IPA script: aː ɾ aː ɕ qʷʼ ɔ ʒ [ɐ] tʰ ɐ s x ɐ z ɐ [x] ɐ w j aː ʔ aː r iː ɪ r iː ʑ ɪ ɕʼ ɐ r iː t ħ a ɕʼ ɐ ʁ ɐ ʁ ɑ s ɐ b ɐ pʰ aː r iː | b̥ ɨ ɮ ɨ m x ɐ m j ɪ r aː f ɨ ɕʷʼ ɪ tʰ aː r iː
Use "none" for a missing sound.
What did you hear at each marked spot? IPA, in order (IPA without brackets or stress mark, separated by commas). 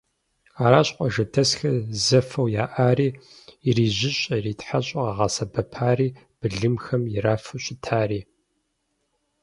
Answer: ɐ, f